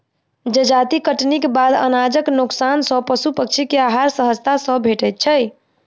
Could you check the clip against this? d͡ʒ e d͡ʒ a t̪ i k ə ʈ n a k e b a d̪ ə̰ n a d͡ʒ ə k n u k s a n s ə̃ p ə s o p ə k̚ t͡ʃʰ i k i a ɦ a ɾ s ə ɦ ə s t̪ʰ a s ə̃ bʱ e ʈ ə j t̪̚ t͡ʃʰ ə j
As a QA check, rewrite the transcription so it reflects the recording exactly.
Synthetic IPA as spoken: d͡ʒ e d͡ʒ a t̪ i k ə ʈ n i k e b a d̪ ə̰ n a d͡ʒ ə k n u k s a n s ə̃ p ə s u p ə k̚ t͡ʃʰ i k e a ɦ a ɾ s ə ɦ ə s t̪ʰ a s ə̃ bʱ e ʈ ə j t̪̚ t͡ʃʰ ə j